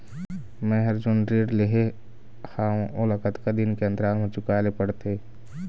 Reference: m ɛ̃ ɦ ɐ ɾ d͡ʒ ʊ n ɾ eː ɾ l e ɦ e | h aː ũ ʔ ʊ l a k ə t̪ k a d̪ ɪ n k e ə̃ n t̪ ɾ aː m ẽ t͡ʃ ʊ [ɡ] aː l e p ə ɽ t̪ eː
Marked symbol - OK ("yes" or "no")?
no